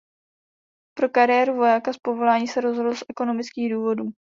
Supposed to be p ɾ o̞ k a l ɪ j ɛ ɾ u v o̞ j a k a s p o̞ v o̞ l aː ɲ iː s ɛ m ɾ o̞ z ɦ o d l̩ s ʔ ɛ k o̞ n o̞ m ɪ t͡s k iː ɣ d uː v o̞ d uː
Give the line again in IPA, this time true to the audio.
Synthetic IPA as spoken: p ɾ o̞ k a ɾ ɪ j ɛ ɾ u v o̞ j a k a s p o̞ v o̞ l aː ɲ iː s ɛ ɾ o̞ z ɦ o d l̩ s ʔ ɛ k o̞ n o̞ m ɪ t͡s k iː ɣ d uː v o̞ d uː